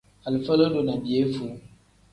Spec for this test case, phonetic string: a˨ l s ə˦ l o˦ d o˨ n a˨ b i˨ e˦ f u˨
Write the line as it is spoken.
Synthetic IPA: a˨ l f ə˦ l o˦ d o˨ n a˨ b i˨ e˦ f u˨